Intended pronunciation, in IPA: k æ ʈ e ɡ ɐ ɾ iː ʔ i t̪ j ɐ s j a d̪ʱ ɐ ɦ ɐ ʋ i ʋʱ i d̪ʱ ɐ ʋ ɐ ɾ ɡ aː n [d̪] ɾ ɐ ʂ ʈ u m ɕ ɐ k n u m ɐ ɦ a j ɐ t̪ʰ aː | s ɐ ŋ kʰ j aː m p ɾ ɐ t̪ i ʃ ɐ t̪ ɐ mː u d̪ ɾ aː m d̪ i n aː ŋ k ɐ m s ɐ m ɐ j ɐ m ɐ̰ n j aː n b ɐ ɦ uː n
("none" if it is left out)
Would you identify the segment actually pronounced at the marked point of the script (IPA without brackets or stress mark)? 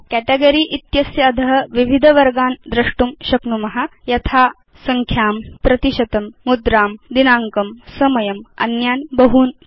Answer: d̪